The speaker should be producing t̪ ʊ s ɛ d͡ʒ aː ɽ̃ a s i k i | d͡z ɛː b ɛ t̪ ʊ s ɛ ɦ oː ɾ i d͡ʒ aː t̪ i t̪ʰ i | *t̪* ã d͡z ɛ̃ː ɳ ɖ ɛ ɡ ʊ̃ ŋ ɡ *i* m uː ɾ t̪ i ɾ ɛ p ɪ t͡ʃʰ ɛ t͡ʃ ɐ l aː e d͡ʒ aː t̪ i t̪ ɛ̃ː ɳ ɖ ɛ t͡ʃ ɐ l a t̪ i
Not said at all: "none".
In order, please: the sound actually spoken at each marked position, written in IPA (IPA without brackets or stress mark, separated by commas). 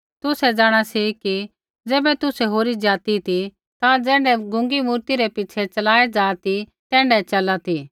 t̪, i